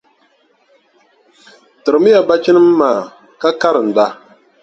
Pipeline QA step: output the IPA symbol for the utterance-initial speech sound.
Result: t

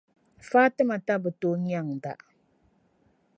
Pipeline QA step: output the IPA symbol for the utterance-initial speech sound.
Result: f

